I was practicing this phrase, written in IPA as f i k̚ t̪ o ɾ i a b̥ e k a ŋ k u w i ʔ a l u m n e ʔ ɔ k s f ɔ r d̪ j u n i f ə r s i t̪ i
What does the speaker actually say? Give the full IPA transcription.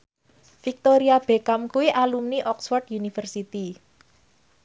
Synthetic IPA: f i k̚ t̪ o ɾ i a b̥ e k a m k u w i ʔ a l u m n i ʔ ɔ k s f ɔ r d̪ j u n i f ə r s i t̪ i